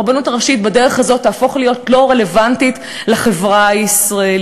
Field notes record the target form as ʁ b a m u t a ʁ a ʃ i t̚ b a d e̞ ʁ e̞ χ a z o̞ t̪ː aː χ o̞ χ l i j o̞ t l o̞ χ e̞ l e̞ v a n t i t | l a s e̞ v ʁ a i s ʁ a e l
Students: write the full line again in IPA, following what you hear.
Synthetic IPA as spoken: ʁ b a n u t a ʁ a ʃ i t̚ b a d e̞ ʁ e̞ χ a z o̞ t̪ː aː f o̞ χ l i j o̞ t l o̞ ʁ e̞ l e̞ v a n t i t | l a χ e̞ v ʁ a i s ʁ a e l